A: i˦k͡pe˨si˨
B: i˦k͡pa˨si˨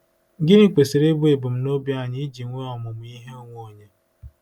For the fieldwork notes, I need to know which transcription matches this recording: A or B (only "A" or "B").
A